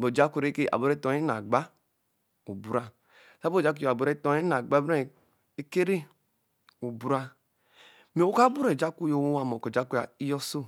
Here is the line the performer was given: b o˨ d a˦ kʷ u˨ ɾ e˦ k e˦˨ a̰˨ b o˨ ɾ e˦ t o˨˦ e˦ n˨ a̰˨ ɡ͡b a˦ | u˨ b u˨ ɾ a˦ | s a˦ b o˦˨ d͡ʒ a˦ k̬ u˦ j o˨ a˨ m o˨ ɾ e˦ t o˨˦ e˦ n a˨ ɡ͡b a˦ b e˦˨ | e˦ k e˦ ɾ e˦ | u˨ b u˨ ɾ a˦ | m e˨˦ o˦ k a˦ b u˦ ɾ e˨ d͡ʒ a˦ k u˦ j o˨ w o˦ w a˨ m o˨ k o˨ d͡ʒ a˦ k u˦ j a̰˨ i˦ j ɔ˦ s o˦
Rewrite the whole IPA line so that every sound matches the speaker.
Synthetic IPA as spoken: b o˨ d͡ʒ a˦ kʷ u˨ ɾ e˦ k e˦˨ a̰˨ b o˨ ɾ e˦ t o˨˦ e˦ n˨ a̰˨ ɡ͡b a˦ | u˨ b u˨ ɾ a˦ | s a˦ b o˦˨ d͡ʒ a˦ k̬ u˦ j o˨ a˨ b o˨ ɾ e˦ t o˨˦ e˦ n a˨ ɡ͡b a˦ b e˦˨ | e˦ k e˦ ɾ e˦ | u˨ b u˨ ɾ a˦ | m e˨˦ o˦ k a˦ b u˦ ɾ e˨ d͡ʒ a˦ k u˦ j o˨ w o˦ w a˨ m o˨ k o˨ d͡ʒ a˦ k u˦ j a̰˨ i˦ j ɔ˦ s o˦

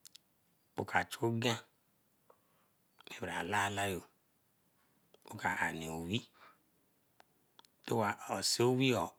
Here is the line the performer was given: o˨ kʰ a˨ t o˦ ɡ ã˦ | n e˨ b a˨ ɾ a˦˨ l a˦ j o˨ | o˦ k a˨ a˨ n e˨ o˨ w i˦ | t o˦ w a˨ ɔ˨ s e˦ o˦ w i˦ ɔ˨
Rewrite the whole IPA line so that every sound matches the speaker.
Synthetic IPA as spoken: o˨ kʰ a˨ t͡ʃ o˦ ɡ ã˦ | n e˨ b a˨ l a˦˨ l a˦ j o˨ | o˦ k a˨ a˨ n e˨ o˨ w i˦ | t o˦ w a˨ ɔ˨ s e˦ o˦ w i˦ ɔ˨

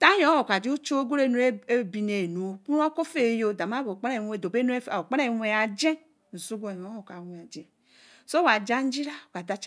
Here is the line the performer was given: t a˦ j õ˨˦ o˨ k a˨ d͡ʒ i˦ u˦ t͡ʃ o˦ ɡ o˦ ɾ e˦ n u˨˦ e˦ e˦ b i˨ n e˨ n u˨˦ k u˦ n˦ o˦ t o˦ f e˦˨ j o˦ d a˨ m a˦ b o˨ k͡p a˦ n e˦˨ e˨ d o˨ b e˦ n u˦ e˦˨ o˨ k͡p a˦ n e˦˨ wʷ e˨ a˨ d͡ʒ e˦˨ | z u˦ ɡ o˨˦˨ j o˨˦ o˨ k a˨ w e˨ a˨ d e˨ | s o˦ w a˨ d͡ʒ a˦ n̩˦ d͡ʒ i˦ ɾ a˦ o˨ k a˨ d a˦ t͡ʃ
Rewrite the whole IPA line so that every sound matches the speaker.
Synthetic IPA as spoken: t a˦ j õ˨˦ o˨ k a˨ d͡ʒ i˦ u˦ t͡ʃ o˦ ɡ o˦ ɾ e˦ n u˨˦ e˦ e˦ b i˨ n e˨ n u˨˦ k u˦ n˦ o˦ k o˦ f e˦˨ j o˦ d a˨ m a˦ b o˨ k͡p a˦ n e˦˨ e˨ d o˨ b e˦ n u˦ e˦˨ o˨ k͡p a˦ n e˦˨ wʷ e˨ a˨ d͡ʒ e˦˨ | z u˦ ɡ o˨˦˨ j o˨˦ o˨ k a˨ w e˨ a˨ d͡ʒ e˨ | s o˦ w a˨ d͡ʒ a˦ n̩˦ d͡ʒ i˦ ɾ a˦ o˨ k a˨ d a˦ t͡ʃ

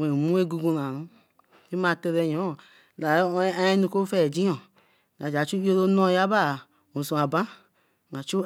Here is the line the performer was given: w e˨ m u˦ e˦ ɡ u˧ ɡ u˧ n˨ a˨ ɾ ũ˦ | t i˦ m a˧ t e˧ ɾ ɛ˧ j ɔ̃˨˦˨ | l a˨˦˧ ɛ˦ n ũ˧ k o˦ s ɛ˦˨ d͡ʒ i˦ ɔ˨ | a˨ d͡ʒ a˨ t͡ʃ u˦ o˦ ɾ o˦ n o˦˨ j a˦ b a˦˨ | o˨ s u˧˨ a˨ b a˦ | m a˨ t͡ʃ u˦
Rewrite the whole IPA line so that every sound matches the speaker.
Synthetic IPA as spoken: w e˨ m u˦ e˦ ɡ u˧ ɡ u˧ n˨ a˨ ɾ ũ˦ | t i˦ m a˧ t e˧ ɾ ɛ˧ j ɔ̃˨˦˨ | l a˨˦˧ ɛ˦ n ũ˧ k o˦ f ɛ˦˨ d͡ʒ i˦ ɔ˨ | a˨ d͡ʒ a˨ t͡ʃ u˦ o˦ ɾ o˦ n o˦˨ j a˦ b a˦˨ | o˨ s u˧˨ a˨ b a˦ | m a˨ t͡ʃ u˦

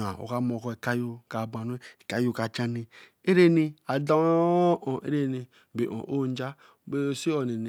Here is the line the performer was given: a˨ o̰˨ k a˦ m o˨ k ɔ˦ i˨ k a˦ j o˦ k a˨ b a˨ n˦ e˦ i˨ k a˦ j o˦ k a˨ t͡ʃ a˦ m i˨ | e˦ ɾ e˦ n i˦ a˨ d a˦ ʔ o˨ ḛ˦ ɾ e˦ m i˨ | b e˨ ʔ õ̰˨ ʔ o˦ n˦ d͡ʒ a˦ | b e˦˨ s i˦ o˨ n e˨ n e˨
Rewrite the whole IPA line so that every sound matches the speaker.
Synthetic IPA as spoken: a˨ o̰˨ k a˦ m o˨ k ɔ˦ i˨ k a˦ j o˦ k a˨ b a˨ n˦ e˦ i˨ k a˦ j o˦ k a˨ t͡ʃ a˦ n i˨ | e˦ ɾ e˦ n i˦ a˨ d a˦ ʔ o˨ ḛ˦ ɾ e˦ n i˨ | b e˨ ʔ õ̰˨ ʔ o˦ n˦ d͡ʒ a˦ | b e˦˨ s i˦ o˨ n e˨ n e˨

